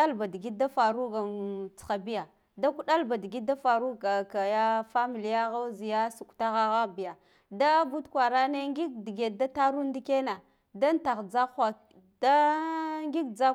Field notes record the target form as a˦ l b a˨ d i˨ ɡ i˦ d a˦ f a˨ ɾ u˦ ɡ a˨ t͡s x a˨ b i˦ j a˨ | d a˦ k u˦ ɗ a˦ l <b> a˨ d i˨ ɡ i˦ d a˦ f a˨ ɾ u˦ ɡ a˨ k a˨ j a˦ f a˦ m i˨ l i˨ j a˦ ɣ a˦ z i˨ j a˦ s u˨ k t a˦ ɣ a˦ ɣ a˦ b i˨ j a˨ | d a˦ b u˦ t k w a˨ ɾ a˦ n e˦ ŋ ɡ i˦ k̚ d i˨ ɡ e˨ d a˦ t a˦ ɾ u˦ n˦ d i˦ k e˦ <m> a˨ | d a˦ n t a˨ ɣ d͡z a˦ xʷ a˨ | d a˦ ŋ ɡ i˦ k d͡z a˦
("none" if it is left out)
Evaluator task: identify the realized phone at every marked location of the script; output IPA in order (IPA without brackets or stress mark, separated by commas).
b, n